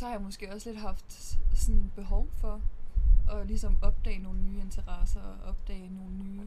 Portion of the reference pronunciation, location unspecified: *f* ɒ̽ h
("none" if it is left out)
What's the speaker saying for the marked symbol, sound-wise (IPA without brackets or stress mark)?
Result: s